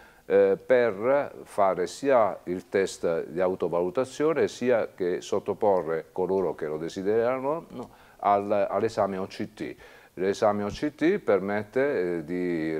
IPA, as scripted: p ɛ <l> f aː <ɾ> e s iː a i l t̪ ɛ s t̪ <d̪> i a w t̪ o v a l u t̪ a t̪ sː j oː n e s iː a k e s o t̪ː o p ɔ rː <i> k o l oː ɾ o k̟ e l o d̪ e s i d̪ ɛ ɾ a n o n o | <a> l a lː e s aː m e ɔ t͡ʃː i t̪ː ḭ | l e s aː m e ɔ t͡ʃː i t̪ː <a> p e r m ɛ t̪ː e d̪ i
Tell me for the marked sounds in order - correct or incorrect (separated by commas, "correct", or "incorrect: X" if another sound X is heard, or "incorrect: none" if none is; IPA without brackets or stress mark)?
incorrect: r, correct, correct, incorrect: e, correct, incorrect: i